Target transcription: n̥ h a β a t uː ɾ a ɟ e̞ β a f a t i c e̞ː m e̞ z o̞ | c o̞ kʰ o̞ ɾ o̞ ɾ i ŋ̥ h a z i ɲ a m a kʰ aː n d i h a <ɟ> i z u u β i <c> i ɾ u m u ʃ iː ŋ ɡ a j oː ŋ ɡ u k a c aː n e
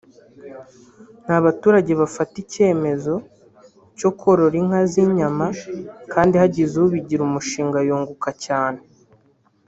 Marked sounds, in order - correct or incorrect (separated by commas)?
correct, incorrect